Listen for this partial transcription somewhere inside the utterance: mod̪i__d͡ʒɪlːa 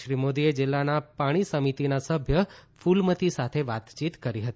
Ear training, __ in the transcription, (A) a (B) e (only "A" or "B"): B